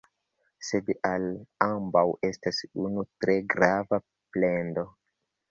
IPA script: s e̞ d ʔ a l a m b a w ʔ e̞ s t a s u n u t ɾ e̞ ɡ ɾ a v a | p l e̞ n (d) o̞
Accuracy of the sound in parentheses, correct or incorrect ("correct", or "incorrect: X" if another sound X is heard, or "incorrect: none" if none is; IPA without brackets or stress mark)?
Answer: correct